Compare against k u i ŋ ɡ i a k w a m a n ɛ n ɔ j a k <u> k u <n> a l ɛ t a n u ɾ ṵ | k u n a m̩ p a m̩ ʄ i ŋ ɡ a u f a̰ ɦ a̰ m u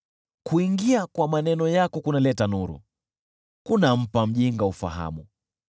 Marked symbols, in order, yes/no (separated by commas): no, yes